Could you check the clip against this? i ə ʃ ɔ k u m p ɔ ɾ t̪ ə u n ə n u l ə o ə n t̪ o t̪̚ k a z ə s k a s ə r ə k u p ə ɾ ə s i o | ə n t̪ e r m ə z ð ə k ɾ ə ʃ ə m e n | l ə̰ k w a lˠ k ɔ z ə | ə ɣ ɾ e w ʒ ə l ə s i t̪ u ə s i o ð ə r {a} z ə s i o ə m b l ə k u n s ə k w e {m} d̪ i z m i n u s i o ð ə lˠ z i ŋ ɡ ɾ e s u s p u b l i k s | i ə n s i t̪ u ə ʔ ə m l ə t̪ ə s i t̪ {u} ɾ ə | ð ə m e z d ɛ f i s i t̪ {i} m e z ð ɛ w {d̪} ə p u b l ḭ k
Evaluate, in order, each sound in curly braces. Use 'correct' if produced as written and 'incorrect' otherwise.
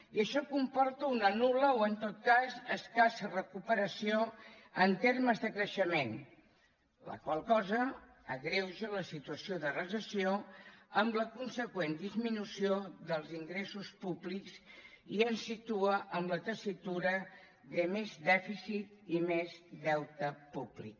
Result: incorrect, incorrect, correct, correct, incorrect

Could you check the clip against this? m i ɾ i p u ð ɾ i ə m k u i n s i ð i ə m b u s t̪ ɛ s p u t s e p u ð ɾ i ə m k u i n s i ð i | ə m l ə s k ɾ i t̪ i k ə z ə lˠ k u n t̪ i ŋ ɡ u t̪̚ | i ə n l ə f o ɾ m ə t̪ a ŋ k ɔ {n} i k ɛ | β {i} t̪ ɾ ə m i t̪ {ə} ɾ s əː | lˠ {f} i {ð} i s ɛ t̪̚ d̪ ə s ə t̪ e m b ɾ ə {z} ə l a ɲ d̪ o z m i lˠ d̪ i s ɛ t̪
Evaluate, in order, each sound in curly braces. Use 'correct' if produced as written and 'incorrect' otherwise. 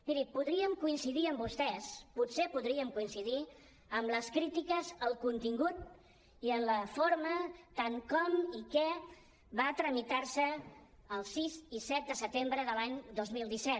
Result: incorrect, incorrect, incorrect, incorrect, incorrect, incorrect

